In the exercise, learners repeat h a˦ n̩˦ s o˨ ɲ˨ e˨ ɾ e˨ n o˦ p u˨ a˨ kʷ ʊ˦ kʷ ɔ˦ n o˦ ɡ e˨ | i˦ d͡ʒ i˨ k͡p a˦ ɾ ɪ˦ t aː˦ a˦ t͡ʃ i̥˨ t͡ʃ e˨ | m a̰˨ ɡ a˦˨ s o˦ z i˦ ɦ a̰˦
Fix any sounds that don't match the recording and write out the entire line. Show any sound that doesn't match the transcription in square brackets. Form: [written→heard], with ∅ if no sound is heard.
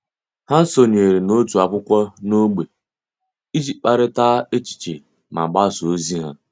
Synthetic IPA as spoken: h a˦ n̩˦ s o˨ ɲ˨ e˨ ɾ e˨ n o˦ [p→t] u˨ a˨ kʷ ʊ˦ kʷ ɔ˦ n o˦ [ɡ→ɡ͡b] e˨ | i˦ d͡ʒ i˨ k͡p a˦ ɾ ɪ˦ t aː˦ [a˦→e˦] t͡ʃ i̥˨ t͡ʃ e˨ | m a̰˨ [ɡ→ɡ͡b] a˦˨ s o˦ z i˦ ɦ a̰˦

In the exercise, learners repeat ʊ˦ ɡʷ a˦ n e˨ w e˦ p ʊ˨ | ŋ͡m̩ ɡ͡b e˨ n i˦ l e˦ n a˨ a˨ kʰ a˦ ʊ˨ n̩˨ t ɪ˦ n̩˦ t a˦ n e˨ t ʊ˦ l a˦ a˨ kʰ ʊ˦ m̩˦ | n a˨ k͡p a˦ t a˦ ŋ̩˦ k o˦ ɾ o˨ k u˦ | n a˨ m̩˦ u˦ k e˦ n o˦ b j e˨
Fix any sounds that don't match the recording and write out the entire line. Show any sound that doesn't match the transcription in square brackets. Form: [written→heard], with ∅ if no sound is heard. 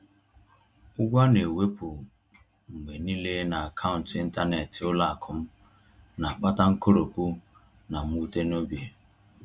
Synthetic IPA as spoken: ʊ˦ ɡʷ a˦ n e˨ w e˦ p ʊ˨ | ŋ͡m̩ ɡ͡b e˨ n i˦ l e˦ n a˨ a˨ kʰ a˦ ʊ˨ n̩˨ t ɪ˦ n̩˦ t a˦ n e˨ t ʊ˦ l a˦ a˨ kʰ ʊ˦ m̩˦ | n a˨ k͡p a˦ t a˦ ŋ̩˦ k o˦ ɾ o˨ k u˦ | n a˨ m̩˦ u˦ [k→t] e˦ n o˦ b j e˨

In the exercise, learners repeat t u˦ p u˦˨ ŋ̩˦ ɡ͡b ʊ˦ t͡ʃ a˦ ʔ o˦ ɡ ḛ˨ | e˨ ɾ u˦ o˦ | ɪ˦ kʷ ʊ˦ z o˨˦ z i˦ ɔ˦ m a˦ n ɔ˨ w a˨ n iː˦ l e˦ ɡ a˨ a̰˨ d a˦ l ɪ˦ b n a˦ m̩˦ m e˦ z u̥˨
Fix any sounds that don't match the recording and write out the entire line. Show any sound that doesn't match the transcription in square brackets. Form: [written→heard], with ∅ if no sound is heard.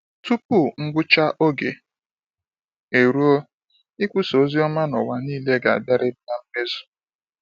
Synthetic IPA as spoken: t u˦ p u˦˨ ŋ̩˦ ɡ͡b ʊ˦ t͡ʃ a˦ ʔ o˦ ɡ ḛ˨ | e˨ ɾ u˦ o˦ | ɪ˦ kʷ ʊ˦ [z→s] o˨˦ z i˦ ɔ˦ m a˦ n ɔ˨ w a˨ n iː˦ l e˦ ɡ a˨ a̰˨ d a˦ [l→ɾ] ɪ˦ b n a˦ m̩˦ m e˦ z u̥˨

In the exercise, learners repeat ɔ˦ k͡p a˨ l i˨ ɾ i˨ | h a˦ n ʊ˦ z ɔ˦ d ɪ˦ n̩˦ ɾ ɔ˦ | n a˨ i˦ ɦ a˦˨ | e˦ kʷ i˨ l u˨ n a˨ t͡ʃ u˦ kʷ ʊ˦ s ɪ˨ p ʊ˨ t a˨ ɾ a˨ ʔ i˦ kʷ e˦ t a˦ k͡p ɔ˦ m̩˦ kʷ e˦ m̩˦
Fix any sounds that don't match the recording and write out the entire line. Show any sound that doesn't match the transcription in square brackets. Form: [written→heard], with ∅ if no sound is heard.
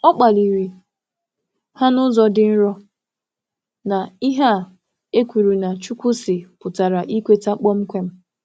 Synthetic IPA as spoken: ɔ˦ k͡p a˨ l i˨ ɾ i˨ | h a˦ n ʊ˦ z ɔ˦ d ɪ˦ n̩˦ ɾ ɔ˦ | n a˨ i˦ ɦ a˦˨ | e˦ kʷ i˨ [l→ɾ] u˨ n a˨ t͡ʃ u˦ kʷ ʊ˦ s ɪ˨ p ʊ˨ t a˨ ɾ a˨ ʔ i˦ kʷ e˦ t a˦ k͡p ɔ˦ m̩˦ kʷ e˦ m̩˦

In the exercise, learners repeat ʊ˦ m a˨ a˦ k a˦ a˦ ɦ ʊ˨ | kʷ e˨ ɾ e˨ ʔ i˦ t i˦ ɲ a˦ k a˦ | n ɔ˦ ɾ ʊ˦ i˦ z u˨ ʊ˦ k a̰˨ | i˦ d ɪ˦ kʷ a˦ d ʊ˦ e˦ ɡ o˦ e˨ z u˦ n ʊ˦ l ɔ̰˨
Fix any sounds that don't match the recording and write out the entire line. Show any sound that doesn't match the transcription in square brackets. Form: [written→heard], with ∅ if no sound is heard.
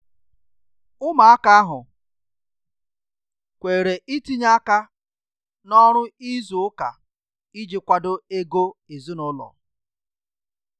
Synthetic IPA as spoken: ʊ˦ m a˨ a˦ k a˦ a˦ ɦ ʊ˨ | kʷ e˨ ɾ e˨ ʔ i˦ t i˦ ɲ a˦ k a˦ | n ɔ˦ ɾ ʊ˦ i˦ z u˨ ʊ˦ k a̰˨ | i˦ [d→d͡ʒ] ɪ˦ kʷ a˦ d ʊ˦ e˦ ɡ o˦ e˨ z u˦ n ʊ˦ l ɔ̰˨

